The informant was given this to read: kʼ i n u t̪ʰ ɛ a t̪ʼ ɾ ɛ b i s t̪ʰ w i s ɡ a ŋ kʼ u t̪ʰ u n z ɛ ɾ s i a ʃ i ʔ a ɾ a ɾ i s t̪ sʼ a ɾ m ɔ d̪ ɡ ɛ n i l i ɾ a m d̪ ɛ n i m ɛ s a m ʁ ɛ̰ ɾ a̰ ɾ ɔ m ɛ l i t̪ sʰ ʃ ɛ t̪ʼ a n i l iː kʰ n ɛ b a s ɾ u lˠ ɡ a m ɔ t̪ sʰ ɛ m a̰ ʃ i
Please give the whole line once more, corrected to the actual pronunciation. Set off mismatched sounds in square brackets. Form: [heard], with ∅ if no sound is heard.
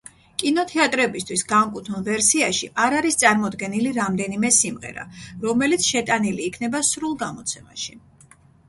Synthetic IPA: kʼ i n [ɔ] t̪ʰ ɛ a t̪ʼ ɾ ɛ b i s t̪ʰ w i s ɡ a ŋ kʼ u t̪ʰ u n [v] ɛ ɾ s i a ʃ i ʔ a ɾ a ɾ i s t̪ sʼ a ɾ m ɔ d̪ ɡ ɛ n i l i ɾ a m d̪ ɛ n i m ɛ s [i] m ʁ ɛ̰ ɾ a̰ ɾ ɔ m ɛ l i t̪ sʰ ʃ ɛ t̪ʼ a n i l iː kʰ n ɛ b a s ɾ u lˠ ɡ a m ɔ t̪ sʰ ɛ m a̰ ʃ i